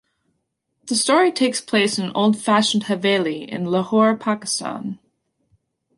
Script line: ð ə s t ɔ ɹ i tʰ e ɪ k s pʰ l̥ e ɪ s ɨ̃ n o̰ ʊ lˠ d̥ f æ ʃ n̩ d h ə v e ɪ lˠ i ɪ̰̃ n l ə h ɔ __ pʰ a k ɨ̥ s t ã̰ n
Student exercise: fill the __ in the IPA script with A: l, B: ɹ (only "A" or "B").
B